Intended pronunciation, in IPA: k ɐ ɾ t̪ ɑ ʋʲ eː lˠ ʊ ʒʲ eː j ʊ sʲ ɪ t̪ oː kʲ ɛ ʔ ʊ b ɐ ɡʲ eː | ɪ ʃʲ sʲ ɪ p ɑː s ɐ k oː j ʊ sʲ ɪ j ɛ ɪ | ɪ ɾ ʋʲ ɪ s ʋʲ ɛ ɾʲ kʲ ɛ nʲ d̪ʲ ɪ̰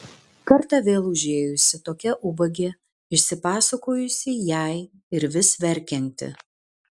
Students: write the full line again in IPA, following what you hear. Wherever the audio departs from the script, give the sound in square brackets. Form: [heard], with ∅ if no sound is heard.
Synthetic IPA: k ɐ ɾ t̪ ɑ ʋʲ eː lˠ ʊ ʒʲ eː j ʊ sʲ ɪ t̪ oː kʲ ɛ ʔ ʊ b ɐ ɡʲ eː | ɪ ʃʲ sʲ ɪ p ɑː s ɐ k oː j ʊ sʲ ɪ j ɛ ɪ | ɪ ɾ ʋʲ ɪ s ʋʲ ɛ ɾʲ kʲ ɛ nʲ [t̪ʲ] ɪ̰

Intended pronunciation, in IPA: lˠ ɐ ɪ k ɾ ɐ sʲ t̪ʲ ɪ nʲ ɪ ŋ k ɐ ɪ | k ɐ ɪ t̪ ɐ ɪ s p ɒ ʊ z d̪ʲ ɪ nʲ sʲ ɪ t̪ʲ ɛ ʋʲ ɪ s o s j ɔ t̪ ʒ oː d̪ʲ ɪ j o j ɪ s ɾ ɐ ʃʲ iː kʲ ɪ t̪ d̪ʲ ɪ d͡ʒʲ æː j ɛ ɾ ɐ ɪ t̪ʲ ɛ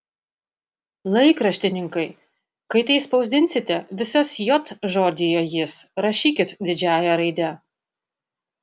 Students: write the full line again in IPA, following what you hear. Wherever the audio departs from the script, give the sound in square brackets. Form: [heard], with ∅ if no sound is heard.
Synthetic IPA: lˠ ɐ ɪ k ɾ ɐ [ʃʲ] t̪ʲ ɪ nʲ ɪ ŋ k ɐ ɪ | k ɐ ɪ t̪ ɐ ɪ s p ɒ ʊ z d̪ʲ ɪ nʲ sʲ ɪ t̪ʲ ɛ ʋʲ ɪ s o s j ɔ t̪ ʒ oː d̪ʲ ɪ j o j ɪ s ɾ ɐ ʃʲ iː kʲ ɪ t̪ d̪ʲ ɪ d͡ʒʲ æː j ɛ ɾ ɐ ɪ [d̪ʲ] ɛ

